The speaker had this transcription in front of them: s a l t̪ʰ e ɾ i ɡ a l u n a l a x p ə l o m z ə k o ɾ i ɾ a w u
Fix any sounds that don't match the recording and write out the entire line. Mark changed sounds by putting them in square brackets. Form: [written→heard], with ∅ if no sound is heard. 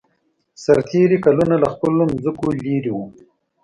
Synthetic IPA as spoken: s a [l→ɾ] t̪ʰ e ɾ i [ɡ→k] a l u n a l a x p ə l o m z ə k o [ɾ→l] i ɾ [a→i] w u